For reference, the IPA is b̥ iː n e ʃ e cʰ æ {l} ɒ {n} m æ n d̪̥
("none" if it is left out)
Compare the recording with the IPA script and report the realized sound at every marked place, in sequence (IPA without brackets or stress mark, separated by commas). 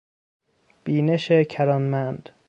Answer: ɾ, n